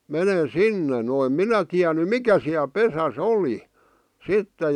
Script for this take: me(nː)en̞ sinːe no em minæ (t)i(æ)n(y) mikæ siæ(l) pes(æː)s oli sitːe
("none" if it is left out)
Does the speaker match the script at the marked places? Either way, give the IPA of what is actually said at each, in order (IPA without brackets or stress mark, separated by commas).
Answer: n, t, æ, y, l, æ